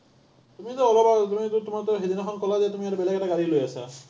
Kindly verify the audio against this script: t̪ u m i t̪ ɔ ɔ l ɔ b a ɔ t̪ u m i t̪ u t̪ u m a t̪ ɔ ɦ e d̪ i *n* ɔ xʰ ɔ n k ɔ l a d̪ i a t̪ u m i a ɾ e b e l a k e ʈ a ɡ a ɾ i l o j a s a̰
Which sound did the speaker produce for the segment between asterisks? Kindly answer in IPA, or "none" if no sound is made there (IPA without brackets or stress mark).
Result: n